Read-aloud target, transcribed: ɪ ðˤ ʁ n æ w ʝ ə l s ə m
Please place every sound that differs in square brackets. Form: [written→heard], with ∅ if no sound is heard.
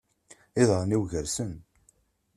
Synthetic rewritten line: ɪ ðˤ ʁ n [æ→i] w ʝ ə [l→ɾ] s ə [m→n]